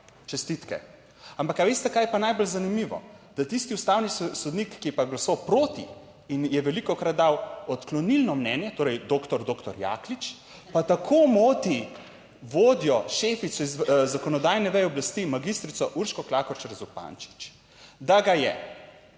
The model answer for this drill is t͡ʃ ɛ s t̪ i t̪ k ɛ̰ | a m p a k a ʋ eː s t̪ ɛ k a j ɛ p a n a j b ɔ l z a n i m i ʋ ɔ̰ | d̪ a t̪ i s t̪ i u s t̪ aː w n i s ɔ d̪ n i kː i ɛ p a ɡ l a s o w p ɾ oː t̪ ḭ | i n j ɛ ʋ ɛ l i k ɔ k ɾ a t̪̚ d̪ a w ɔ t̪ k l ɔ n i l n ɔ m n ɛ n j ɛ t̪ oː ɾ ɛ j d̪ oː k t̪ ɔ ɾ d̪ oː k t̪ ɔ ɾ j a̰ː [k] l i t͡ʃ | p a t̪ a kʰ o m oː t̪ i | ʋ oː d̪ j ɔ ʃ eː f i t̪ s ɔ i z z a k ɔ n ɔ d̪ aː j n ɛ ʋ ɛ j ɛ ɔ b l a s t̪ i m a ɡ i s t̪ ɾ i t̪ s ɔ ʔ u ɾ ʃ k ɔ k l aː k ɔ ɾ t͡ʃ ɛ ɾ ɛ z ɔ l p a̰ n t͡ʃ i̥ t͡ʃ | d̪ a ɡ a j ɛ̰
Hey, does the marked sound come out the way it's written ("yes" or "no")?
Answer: yes